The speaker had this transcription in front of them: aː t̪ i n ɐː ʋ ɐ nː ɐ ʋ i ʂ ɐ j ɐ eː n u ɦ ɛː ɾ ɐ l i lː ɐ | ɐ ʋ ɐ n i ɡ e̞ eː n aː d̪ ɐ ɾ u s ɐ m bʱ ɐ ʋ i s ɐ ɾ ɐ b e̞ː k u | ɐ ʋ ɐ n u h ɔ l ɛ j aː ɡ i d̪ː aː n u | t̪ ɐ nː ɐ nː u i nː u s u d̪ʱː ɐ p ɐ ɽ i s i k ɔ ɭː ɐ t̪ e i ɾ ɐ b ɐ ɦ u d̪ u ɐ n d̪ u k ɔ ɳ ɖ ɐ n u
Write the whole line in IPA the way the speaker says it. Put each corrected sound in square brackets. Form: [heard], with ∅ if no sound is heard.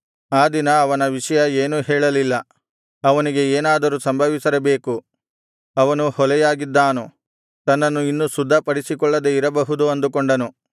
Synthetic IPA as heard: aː [d̪] i n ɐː ʋ ɐ [n] ɐ ʋ i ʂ ɐ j ɐ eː n u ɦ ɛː [ɭ] ɐ l i lː ɐ | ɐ ʋ ɐ n i ɡ e̞ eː n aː d̪ ɐ ɾ u s ɐ m bʱ ɐ ʋ i s ɐ ɾ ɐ b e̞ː k u | ɐ ʋ ɐ n u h ɔ l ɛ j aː ɡ i d̪ː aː n u | t̪ ɐ nː ɐ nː u i nː u s u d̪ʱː ɐ p ɐ ɽ i s i k ɔ ɭː ɐ [d̪] e i ɾ ɐ b ɐ ɦ u d̪ u ɐ n d̪ u k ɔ ɳ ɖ ɐ n u